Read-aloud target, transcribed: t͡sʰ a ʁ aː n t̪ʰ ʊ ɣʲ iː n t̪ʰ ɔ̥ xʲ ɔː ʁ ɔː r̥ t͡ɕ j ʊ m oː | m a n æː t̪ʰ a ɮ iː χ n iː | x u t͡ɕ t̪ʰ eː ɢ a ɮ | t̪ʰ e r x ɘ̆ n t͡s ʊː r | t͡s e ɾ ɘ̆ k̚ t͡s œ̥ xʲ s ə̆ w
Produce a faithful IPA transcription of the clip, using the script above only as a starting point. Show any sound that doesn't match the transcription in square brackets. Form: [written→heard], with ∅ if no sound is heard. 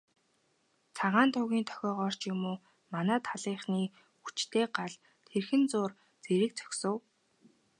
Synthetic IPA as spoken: t͡sʰ a ʁ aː n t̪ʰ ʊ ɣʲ iː n t̪ʰ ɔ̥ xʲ ɔː ʁ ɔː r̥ t͡ɕ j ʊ m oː | m a n æː t̪ʰ a ɮ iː χ n iː | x u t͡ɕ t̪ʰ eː ɢ a ɮ | t̪ʰ e r x ɘ̆ n t͡s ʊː r | t͡s e ɾ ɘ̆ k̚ t͡s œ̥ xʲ s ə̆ w